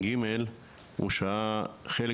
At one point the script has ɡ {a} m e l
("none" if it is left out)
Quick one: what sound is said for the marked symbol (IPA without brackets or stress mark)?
i